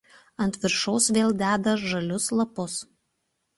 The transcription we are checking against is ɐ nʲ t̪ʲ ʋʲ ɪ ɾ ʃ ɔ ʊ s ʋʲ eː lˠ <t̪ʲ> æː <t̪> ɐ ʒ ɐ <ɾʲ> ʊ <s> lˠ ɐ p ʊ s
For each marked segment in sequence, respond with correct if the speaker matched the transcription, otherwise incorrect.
incorrect: d̪ʲ, incorrect: d̪, incorrect: lʲ, correct

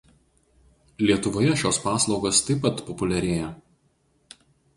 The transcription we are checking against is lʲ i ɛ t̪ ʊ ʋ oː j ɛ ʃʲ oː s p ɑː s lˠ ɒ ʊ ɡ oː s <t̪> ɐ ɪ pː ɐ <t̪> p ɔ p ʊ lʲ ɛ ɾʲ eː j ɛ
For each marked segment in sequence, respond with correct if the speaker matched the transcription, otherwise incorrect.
correct, correct

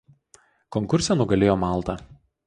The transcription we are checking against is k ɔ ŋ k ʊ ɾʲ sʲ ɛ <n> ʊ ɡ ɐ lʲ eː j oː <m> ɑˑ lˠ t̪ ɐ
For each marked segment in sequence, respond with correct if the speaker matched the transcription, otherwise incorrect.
correct, correct

